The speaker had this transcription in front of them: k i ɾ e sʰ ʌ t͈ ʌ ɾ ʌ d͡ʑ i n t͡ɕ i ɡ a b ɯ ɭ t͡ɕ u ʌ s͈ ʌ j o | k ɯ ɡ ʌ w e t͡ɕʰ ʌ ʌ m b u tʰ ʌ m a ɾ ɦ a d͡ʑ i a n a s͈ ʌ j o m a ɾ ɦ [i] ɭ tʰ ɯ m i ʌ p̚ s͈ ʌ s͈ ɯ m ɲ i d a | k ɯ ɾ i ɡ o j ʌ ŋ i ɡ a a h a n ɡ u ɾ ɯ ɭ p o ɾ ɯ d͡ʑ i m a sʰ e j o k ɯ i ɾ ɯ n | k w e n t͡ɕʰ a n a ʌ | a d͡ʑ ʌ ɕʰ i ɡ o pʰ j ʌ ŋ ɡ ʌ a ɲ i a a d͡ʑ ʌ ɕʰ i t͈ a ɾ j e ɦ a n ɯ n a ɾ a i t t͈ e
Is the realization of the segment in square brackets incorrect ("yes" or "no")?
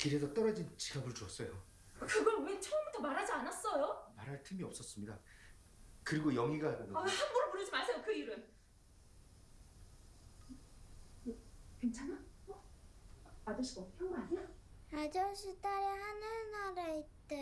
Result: yes